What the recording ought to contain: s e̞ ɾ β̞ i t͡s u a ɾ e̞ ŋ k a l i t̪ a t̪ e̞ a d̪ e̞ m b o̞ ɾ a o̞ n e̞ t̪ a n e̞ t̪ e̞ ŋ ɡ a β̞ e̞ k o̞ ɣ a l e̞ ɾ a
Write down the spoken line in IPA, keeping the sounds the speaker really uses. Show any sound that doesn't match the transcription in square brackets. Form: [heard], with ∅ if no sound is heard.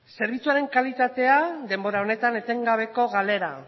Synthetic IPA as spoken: s e̞ ɾ β̞ i t͡s u a ɾ e̞ ŋ k a l i t̪ a t̪ e̞ a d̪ e̞ m b o̞ ɾ a o̞ n e̞ t̪ a n e̞ t̪ e̞ ŋ ɡ a β̞ e̞ k o̞ ɣ a l e̞ ɾ a